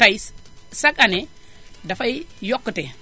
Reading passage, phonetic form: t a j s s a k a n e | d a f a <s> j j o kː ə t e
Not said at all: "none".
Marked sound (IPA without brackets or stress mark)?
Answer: none